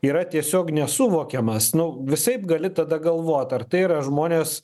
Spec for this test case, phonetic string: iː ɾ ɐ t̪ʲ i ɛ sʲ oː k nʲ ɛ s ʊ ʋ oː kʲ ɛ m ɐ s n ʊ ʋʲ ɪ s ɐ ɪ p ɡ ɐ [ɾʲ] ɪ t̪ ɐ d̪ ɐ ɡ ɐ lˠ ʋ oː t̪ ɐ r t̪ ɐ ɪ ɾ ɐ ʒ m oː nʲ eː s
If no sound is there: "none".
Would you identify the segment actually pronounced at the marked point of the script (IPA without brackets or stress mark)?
lʲ